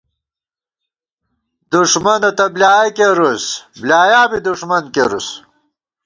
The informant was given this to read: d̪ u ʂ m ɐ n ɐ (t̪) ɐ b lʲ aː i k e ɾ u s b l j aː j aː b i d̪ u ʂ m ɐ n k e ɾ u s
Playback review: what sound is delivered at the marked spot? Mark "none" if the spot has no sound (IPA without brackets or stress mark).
t̪